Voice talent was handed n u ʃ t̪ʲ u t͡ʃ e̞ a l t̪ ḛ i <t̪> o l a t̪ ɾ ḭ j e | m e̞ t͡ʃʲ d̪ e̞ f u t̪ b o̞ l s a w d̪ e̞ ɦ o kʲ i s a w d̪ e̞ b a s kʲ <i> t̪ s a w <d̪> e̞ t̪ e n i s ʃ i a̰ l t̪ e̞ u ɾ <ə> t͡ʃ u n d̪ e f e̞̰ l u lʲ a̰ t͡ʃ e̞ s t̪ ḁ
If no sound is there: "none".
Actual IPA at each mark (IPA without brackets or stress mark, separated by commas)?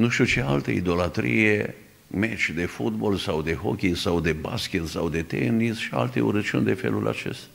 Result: d̪, e, d̪, ə